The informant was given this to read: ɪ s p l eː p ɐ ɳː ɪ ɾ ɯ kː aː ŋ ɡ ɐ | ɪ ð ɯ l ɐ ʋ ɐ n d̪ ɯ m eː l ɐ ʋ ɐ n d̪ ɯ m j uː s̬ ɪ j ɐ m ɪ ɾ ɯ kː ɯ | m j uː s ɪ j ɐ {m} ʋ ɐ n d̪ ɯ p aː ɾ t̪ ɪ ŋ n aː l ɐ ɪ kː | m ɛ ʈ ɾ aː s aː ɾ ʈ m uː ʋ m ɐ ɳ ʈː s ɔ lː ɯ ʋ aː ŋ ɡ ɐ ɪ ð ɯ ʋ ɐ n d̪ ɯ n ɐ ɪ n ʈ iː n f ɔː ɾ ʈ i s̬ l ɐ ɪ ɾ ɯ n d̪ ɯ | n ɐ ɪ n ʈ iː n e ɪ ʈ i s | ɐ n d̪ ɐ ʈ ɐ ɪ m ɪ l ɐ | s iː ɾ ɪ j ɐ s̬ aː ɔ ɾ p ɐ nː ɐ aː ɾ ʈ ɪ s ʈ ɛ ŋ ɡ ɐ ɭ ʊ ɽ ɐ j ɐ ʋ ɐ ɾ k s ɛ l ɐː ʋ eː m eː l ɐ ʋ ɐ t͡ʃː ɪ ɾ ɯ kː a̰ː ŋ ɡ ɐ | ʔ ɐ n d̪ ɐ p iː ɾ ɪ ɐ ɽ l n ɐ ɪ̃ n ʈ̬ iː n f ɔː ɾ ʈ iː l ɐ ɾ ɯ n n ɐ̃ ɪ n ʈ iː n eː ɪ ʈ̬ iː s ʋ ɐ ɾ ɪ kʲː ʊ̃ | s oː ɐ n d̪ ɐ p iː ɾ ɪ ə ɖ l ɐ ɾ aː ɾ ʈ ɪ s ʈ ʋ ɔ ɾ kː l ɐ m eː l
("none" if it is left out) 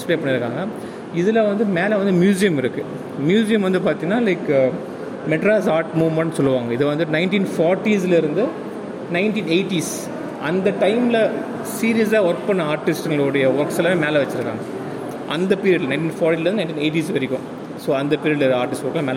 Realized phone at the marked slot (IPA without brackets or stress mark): m